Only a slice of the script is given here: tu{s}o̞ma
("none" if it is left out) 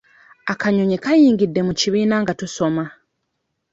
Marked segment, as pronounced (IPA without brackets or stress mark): s